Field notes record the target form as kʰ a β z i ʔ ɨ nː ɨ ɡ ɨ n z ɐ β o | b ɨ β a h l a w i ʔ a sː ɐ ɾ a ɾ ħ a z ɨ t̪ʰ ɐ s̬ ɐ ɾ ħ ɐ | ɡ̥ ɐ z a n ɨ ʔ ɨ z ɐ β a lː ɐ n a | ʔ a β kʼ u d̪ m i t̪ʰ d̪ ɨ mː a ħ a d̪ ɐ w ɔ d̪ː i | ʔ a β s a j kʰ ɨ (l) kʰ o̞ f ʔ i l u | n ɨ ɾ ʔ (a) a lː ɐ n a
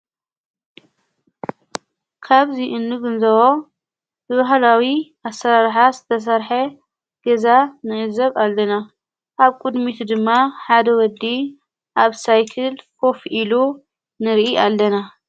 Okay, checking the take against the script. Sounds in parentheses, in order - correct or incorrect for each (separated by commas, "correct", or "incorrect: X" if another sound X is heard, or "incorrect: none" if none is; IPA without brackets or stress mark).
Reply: correct, incorrect: i